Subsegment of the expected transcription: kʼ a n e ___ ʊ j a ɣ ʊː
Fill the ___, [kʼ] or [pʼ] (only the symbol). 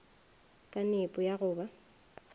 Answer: pʼ